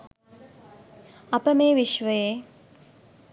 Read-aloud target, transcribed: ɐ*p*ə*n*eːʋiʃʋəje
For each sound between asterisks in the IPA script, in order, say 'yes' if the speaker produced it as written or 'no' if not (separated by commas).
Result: yes, no